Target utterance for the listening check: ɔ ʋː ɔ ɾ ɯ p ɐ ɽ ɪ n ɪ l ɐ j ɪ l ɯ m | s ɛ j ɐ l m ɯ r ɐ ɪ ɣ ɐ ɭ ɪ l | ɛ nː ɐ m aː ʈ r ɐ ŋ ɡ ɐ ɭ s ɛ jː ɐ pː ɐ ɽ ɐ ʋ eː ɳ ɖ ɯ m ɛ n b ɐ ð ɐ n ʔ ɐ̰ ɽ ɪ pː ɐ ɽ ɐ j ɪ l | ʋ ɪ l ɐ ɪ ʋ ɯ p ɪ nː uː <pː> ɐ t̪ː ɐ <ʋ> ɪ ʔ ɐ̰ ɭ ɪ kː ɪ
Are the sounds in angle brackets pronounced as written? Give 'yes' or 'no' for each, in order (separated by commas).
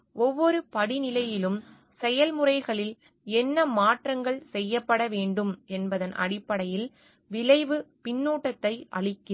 no, no